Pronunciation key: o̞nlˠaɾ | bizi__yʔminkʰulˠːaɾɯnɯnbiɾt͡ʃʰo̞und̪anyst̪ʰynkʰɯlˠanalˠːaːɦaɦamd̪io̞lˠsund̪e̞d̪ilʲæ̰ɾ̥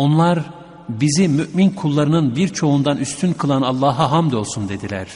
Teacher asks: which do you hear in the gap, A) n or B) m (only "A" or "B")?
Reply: B